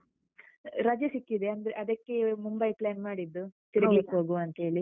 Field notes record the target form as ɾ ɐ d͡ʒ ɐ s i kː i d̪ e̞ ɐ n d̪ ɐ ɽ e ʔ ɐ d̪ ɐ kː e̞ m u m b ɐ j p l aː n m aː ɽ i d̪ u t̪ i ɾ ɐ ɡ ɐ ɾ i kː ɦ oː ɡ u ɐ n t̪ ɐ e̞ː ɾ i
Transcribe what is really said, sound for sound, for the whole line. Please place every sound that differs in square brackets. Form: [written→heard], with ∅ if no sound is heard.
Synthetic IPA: ɾ ɐ d͡ʒ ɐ s i kː i d̪ e̞ ɐ n d̪ ɐ [ɽ→ɾ] e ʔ ɐ d̪ ɐ kː e̞ m u m b ɐ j p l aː n m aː ɽ i [d̪→d̪ː] u t̪ i ɾ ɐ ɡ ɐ [ɾ→l] i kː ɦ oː ɡ u ɐ n t̪ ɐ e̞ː [ɾ→ɭ] i